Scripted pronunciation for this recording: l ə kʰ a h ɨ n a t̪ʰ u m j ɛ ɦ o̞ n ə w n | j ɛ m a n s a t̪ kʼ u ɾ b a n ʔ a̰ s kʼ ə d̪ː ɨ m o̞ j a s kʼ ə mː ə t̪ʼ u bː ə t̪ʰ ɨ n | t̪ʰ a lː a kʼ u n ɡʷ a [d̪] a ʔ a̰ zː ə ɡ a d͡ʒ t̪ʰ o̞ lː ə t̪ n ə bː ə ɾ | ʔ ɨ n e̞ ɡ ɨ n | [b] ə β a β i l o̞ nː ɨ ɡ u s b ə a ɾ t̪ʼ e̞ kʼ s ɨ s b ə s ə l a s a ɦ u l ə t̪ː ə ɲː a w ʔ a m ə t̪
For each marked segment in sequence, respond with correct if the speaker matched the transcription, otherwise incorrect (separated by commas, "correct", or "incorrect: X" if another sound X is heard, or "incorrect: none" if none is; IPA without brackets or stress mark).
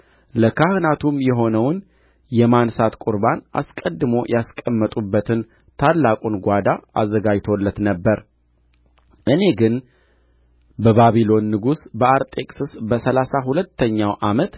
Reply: correct, correct